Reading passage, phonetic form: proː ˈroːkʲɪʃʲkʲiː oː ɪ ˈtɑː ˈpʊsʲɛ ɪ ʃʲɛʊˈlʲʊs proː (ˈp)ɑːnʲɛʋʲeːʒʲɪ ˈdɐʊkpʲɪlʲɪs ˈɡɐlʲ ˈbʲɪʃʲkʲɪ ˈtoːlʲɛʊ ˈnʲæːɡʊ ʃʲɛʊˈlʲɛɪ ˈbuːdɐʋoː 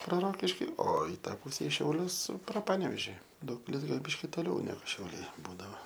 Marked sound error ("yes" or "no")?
no